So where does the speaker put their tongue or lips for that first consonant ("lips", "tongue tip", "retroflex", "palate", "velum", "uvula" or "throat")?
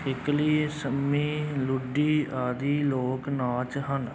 velum